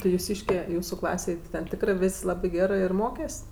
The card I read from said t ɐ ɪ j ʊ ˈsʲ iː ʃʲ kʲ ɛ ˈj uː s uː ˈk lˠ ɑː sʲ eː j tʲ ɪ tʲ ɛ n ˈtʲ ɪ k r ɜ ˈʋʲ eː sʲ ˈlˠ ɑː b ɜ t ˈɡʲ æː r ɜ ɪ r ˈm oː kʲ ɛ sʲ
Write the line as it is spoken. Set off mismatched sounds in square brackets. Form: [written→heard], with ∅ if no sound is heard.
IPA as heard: t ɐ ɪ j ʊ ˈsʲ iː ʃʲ kʲ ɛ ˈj uː s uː ˈk lˠ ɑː sʲ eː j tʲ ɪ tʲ ɛ n ˈtʲ ɪ k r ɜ ˈʋʲ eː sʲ ˈlˠ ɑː b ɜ [t→∅] ˈɡʲ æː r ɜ ɪ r ˈm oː kʲ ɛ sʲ